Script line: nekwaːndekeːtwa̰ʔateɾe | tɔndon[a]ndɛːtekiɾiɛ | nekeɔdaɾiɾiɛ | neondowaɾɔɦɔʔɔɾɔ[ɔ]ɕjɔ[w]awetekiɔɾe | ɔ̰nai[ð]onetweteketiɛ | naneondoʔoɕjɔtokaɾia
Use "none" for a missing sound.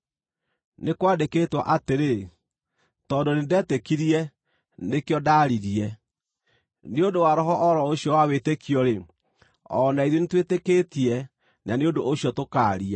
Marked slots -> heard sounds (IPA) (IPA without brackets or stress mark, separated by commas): e, o, w, ð